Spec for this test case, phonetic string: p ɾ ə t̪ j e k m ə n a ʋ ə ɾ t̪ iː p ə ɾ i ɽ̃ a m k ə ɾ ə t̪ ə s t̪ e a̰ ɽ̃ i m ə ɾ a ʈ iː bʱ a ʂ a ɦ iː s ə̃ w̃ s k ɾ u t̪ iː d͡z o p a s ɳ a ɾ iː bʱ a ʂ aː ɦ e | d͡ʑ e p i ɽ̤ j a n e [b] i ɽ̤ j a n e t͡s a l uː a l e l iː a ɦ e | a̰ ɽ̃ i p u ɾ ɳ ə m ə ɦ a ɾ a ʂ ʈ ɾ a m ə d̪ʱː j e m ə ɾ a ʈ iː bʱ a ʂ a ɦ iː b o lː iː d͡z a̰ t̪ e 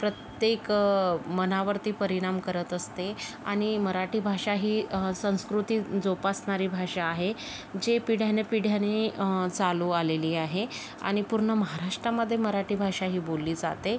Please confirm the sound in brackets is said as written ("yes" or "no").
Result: no